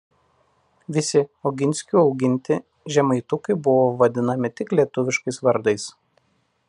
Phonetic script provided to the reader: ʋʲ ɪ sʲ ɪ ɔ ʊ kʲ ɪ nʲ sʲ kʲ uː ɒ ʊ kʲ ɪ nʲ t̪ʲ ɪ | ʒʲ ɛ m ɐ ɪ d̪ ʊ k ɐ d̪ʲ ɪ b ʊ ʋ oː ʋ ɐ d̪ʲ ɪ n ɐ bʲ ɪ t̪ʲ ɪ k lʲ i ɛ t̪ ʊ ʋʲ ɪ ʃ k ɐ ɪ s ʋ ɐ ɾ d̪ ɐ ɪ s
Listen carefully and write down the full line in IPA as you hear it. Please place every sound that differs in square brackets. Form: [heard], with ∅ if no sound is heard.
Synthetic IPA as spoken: ʋʲ ɪ sʲ ɪ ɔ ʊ [ɡʲ] ɪ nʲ sʲ kʲ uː ɒ ʊ [ɡʲ] ɪ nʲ t̪ʲ ɪ | ʒʲ ɛ m ɐ ɪ [t̪] ʊ k ɐ [∅] ɪ b ʊ ʋ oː ʋ ɐ d̪ʲ ɪ n ɐ [mʲ] ɪ t̪ʲ ɪ k lʲ i ɛ t̪ ʊ ʋʲ ɪ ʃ k ɐ ɪ s ʋ ɐ ɾ d̪ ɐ ɪ s